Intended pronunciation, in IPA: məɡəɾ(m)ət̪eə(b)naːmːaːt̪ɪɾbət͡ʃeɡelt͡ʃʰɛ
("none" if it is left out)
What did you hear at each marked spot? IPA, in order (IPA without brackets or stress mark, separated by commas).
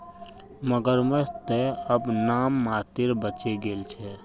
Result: m, b